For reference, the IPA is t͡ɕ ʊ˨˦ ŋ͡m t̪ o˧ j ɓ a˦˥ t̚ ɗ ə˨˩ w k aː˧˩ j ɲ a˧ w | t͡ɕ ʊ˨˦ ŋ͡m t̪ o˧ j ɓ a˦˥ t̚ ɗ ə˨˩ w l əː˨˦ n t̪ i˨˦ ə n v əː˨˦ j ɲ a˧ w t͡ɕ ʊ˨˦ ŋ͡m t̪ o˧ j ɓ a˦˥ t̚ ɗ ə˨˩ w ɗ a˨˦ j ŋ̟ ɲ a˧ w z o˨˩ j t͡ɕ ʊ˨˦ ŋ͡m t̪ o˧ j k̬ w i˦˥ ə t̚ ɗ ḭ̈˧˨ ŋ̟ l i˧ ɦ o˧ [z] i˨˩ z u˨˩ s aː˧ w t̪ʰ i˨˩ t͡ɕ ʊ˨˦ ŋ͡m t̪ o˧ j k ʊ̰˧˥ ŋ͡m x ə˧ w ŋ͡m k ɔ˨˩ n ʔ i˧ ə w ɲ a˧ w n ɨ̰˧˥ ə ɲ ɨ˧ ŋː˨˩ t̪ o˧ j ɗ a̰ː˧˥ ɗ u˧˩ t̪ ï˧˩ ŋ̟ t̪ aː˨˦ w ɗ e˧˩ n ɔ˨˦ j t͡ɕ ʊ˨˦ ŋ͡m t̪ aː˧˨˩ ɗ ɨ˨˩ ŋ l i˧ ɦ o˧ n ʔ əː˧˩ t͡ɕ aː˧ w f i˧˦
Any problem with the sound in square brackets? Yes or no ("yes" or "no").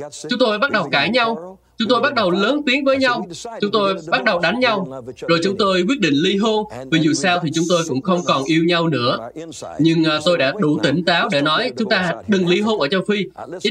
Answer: yes